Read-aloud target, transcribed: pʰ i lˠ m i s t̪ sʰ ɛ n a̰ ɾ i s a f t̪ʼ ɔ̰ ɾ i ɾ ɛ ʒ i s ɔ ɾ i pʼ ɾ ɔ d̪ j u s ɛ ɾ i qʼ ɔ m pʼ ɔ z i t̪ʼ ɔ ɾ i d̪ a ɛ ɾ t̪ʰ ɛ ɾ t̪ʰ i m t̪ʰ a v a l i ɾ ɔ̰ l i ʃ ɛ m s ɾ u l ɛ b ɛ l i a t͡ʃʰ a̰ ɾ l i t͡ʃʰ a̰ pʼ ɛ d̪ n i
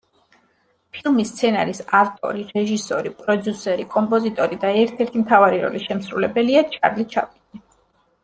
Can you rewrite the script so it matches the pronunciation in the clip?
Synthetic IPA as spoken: pʰ i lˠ m i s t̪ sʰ ɛ n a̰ ɾ i s a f t̪ʼ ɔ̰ ɾ i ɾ ɛ ʒ i s ɔ ɾ i pʼ ɾ ɔ d̪ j u s ɛ ɾ i kʼ ɔ m pʼ ɔ z i t̪ʼ ɔ ɾ i d̪ a ɛ ɾ t̪ʰ ɛ ɾ t̪ʰ i m t̪ʰ a v a ɾ i ɾ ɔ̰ l i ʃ ɛ m s ɾ u l ɛ b ɛ l i a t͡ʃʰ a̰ ɾ l i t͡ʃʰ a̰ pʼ i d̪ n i

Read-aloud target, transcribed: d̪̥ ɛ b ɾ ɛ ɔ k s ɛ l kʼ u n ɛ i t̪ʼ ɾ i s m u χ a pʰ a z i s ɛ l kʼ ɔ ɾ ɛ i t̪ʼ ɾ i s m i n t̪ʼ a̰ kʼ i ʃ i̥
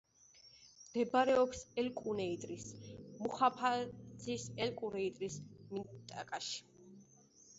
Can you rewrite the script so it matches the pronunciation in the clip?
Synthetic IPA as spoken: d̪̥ ɛ b ɾ ɛ ɔ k s ɛ l kʼ u n ɛ i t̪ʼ ɾ i s m u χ a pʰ a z i s ɛ l kʼ u ɾ ɛ i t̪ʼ ɾ i s m i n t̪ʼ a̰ kʼ a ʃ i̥

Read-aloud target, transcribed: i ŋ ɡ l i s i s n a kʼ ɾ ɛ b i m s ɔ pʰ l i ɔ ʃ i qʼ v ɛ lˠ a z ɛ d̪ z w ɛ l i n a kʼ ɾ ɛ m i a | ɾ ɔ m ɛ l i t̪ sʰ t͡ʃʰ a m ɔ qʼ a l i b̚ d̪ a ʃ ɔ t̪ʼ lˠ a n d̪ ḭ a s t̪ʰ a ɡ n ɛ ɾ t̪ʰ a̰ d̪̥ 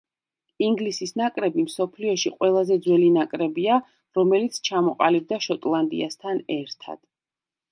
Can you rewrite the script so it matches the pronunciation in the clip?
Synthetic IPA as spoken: i ŋ ɡ l i s i s n a kʼ ɾ ɛ b i m s ɔ pʰ l i ɔ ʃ i qʼ w ɛ lˠ a z ɛ d̪ z w ɛ l i n a kʼ ɾ ɛ b i a | ɾ ɔ m ɛ l i t̪ sʰ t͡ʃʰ a m ɔ qʼ a l i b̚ d̪ a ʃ ɔ t̪ʼ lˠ a n d̪ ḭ a s t̪ʰ a n ɛ ɾ t̪ʰ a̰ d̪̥

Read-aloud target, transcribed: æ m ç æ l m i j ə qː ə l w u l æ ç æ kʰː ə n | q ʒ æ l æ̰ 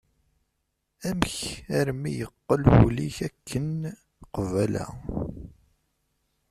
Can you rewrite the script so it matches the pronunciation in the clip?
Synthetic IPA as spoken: æ m ç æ ɾ m i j ə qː ə l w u l i ç æ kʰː ə n | q v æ l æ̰

